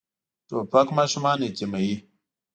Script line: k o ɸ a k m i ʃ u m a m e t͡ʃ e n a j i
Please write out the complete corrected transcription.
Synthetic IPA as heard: t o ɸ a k m a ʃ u m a n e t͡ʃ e m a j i